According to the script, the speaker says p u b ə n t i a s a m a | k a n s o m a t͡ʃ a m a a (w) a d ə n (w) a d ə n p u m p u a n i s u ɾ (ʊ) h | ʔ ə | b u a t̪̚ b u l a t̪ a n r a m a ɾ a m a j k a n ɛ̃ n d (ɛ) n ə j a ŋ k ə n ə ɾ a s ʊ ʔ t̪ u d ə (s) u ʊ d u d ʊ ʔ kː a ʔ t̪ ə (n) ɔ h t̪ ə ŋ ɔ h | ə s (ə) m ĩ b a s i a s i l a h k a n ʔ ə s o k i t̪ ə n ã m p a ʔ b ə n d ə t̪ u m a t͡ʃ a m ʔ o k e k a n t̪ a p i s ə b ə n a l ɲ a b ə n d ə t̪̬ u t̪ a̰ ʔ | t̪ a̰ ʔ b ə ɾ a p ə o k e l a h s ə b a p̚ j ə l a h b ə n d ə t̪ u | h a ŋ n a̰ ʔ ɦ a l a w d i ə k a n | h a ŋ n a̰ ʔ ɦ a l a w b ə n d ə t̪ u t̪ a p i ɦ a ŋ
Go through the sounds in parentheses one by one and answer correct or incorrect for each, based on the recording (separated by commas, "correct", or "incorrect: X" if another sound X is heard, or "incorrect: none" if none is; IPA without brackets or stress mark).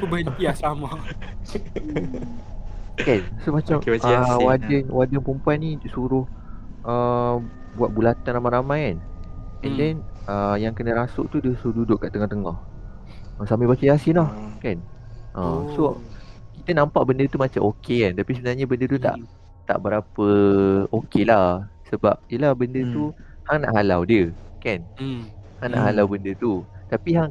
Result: correct, correct, correct, correct, correct, incorrect: ŋ, incorrect: a